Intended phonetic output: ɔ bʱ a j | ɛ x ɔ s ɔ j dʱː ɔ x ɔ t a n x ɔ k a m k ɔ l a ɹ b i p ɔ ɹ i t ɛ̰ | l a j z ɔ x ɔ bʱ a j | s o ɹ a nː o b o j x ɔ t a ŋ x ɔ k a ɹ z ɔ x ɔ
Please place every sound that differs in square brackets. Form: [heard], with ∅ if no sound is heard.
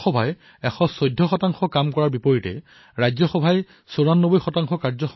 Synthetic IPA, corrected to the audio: ɔ bʱ a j | ɛ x ɔ s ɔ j dʱː ɔ x ɔ t a [ŋ] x ɔ k a m k ɔ [ɹ] a ɹ b i p ɔ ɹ i t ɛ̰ | [ɹ] a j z ɔ x ɔ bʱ a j | s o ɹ a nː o b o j x ɔ t a ŋ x ɔ k a ɹ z ɔ x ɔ